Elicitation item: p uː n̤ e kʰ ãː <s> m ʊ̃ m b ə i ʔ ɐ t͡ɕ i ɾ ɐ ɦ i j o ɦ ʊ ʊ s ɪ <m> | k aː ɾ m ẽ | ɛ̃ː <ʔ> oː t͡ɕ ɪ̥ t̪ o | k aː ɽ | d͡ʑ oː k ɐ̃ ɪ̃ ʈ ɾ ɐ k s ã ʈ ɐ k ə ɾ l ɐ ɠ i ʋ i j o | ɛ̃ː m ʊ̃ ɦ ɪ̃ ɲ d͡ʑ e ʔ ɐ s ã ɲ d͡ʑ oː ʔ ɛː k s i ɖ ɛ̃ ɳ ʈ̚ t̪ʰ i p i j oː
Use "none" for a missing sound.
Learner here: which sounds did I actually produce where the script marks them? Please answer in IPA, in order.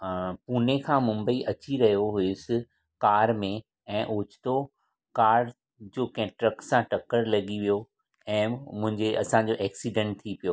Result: none, none, ʔ

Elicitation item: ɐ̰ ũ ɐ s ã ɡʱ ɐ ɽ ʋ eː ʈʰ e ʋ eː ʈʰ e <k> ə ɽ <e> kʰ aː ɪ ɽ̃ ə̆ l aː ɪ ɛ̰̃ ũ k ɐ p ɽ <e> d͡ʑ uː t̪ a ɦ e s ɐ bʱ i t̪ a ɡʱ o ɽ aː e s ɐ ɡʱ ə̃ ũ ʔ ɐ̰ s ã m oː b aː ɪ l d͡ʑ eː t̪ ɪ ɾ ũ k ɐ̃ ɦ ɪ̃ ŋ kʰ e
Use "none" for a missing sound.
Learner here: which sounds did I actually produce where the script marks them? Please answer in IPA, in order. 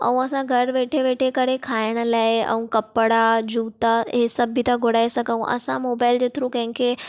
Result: k, e, a

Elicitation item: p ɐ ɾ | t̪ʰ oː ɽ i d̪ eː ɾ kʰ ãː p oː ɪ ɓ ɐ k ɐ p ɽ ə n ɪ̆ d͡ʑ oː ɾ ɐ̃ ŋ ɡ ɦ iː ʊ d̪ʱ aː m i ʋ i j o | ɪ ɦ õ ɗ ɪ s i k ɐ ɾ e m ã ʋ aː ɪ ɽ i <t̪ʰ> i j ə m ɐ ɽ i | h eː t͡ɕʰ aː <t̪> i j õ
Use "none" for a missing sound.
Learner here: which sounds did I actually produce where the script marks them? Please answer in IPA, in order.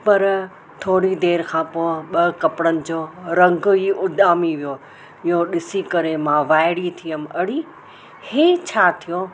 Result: t̪ʰ, t̪ʰ

